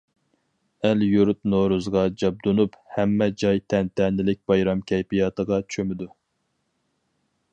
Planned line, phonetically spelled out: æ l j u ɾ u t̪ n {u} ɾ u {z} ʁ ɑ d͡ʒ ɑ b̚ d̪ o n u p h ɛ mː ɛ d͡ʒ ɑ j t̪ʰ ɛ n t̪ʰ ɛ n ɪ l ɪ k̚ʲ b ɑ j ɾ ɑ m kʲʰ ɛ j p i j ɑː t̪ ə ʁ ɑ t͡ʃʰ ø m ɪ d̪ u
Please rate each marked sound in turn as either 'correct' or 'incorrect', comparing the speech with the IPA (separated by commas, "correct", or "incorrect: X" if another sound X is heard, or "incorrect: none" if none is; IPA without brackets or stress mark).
incorrect: o, correct